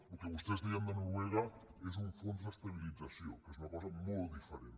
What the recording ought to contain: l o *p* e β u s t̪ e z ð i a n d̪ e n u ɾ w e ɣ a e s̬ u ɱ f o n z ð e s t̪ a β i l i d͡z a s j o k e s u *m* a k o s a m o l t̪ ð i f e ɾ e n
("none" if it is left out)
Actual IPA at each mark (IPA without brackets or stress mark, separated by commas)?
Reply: k, n